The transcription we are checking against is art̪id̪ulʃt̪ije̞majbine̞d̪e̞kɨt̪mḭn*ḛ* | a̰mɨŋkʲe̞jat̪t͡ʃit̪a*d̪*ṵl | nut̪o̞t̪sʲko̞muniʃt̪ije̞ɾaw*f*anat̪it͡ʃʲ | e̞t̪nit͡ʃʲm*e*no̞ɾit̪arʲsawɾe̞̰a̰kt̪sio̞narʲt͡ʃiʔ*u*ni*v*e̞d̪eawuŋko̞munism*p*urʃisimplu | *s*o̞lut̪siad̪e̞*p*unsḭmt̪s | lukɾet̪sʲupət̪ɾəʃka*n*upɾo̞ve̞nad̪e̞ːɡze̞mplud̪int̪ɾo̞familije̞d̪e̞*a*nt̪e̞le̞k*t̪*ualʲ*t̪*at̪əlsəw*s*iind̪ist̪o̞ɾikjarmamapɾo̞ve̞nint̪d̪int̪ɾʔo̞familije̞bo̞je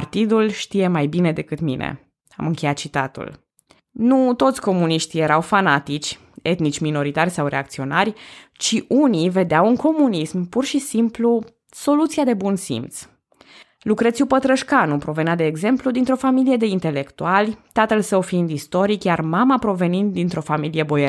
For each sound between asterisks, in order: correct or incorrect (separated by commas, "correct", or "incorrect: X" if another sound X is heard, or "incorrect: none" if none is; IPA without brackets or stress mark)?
correct, incorrect: t̪, correct, incorrect: i, correct, correct, correct, correct, incorrect: b, correct, incorrect: i, correct, correct, incorrect: f